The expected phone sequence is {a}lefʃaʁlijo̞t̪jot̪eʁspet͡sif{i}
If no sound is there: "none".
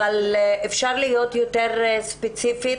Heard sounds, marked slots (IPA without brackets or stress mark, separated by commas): a, i